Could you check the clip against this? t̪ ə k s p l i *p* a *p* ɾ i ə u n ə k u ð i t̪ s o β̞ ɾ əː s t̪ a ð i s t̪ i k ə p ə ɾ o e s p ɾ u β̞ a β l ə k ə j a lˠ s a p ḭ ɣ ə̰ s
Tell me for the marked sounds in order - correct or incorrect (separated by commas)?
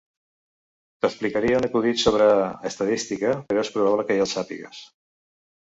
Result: incorrect, incorrect